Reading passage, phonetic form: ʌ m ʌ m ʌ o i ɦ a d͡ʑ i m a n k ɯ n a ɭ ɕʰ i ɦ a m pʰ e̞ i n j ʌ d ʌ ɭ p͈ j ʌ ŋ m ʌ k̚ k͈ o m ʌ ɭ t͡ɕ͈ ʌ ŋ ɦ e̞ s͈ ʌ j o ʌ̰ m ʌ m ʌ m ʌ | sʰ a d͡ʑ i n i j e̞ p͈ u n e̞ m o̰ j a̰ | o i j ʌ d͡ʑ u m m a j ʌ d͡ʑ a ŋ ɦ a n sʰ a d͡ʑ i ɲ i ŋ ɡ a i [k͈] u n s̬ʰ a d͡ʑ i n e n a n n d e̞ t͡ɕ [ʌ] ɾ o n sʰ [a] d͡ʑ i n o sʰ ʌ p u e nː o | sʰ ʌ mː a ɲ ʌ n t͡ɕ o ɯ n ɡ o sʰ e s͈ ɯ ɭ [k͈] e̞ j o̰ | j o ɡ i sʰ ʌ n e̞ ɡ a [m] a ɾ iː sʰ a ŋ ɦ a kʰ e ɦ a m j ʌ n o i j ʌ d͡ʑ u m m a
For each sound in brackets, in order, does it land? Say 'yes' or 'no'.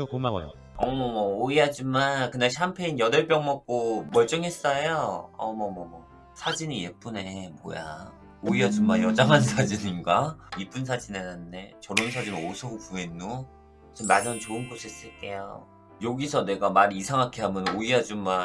no, yes, yes, yes, yes

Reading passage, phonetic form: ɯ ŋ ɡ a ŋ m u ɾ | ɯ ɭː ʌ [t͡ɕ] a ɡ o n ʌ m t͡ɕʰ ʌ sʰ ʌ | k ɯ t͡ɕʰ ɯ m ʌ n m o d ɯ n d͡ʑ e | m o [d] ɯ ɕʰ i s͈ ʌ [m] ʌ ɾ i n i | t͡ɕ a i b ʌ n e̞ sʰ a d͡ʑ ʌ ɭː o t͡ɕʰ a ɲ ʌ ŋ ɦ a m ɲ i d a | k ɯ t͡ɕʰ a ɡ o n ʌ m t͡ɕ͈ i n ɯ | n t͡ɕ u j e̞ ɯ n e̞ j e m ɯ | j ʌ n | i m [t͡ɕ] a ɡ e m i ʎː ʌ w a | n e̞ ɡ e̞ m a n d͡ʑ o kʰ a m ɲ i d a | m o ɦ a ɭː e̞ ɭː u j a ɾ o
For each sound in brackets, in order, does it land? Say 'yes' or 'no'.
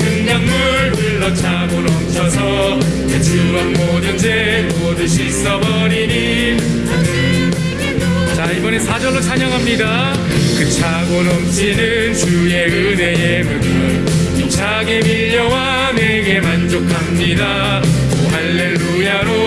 no, yes, no, no

